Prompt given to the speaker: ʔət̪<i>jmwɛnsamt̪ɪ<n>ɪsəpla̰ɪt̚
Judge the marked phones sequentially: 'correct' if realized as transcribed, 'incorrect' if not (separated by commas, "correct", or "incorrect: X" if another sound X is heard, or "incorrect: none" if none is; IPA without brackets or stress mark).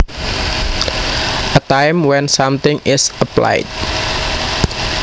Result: incorrect: a, incorrect: ŋ